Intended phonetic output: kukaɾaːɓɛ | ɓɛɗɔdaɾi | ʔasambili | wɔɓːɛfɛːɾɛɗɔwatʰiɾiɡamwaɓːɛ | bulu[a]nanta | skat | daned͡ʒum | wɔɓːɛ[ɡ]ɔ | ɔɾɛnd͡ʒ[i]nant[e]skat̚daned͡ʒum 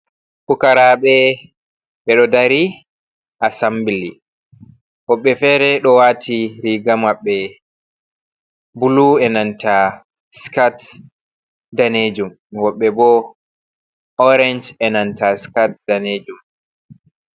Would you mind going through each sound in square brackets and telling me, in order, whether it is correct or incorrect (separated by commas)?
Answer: incorrect, incorrect, incorrect, incorrect